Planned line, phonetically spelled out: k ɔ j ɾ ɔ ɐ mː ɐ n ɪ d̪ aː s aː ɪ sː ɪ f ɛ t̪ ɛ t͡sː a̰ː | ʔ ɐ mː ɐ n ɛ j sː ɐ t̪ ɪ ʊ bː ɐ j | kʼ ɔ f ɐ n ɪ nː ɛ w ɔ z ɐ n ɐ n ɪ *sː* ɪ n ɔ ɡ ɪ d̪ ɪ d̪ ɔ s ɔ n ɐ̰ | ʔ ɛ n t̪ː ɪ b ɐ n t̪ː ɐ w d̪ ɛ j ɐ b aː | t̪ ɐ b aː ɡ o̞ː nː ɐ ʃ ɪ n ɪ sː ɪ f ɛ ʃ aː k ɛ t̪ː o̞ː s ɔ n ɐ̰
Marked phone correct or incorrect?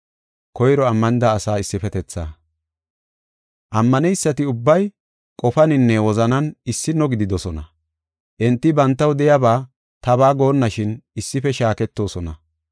correct